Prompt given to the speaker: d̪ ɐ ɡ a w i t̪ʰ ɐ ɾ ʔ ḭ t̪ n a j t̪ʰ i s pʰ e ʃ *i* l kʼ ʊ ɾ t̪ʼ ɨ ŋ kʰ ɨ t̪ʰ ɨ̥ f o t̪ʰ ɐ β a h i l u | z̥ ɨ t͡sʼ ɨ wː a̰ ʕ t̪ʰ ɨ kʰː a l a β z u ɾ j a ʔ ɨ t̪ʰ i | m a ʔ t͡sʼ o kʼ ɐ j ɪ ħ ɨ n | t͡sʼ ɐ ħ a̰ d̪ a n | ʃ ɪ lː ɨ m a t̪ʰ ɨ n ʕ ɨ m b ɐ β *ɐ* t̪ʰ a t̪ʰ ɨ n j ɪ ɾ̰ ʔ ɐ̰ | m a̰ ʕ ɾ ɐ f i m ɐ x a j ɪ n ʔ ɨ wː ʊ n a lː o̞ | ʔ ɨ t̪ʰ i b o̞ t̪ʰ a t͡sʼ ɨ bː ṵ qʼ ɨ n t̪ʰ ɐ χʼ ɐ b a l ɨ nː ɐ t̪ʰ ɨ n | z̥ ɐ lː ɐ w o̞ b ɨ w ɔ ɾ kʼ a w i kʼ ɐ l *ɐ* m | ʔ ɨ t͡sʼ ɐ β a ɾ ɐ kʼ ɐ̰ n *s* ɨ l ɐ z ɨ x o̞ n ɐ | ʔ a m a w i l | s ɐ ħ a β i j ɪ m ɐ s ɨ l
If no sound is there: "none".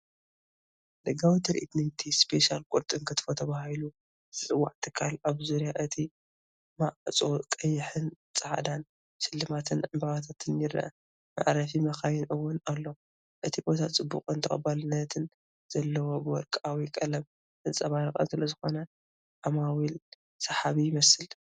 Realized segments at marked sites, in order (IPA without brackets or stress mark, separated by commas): a, a, ɐ, s